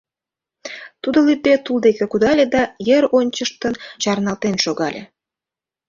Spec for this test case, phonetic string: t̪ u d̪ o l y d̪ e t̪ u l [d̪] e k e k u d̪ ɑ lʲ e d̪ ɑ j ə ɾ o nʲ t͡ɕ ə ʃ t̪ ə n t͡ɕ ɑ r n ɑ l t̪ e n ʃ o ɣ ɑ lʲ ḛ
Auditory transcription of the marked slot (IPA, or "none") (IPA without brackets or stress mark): d̪